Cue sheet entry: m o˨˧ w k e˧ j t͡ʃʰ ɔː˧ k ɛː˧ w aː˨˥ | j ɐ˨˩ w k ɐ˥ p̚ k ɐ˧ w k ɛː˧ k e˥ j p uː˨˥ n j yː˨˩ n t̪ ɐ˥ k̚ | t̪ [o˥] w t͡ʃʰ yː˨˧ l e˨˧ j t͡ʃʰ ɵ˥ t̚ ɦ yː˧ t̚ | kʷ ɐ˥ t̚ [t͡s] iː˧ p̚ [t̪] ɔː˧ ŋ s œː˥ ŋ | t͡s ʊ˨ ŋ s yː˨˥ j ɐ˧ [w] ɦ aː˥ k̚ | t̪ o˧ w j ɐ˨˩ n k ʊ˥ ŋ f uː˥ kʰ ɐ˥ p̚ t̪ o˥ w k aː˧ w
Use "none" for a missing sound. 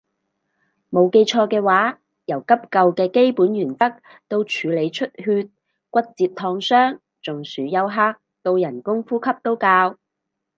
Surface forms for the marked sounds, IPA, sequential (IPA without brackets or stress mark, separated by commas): o˧, t͡s, t̪ʰ, w